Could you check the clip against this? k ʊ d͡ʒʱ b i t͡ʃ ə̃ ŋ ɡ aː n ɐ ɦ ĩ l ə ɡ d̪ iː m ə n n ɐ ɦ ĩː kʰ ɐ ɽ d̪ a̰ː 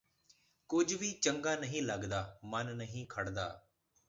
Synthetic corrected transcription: k ʊ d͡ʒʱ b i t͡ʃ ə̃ ŋ ɡ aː n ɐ ɦ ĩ l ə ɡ d̪ aː m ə n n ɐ ɦ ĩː kʰ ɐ ɽ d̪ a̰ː

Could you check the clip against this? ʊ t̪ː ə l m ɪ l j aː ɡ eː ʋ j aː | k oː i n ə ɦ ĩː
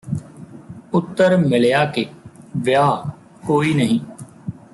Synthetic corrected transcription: ʊ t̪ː ə ɾ m ɪ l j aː k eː ʋ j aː | k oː iː n ə ɦ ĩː

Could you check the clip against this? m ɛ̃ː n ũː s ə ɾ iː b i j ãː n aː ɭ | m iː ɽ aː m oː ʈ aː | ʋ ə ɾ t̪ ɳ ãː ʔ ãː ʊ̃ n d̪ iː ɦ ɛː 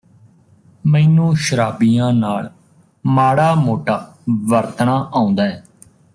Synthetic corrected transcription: m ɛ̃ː n ũː ʃ ə ɾ aː b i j ãː n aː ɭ | m aː ɽ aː m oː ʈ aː | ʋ ə ɾ t̪ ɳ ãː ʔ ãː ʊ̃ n d̪ aː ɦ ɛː

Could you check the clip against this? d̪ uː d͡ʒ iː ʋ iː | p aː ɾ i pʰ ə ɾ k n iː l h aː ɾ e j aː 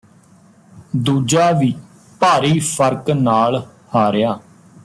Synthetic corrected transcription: d̪ uː d͡ʒ aː ʋ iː | p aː ɾ iː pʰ ə ɾ k n aː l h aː ɾ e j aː

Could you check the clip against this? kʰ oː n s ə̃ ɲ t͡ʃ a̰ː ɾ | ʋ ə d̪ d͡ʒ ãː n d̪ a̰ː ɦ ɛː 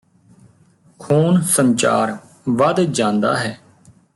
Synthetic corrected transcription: kʰ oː n s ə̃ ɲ t͡ʃ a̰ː ɾ | ʋ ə d̪ d͡ʒ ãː n d̪ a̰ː ɦ ɛː

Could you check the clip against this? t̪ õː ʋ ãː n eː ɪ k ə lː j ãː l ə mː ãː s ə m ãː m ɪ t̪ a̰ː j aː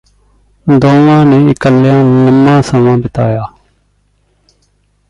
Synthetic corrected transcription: d̪ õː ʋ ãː n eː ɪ k ə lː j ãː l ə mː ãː s ə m ãː b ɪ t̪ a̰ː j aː

